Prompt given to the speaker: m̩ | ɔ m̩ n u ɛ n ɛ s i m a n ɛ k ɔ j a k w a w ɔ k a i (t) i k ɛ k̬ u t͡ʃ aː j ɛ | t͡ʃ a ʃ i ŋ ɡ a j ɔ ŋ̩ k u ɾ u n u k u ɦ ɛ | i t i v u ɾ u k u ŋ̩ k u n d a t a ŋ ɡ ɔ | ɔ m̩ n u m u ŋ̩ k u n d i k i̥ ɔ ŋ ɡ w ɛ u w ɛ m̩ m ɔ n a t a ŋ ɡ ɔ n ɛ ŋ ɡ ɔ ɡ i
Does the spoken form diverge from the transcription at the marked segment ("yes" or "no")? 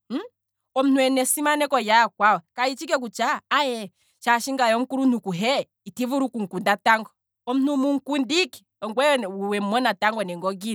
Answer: yes